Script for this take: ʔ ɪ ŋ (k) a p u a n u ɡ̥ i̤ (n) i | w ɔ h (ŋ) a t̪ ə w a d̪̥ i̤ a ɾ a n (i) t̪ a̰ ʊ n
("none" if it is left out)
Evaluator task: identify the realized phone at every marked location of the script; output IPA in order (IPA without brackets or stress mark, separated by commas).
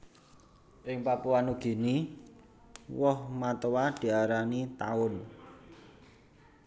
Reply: p, n, m, i